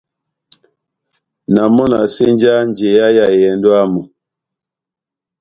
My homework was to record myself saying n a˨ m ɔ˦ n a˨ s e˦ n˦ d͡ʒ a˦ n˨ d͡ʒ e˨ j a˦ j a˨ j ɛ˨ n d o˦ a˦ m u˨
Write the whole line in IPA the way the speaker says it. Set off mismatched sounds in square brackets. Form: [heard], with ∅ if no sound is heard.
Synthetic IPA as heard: n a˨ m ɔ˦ n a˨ s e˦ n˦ d͡ʒ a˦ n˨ d͡ʒ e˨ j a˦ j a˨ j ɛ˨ n d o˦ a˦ m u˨